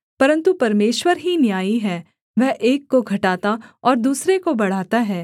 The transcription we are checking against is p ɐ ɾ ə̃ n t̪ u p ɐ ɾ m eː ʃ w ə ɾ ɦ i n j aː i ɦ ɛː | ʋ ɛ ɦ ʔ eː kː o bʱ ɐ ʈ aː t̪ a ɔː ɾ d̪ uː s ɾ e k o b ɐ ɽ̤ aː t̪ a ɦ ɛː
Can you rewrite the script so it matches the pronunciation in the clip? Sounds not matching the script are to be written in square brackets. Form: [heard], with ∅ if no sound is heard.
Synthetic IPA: p ɐ ɾ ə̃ n t̪ u p ɐ ɾ m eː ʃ w ə ɾ ɦ i n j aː i ɦ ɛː | ʋ ɛ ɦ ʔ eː kː o [ɡʱ] ɐ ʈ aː t̪ a ɔː ɾ d̪ uː s ɾ e k o b ɐ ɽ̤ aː t̪ a ɦ ɛː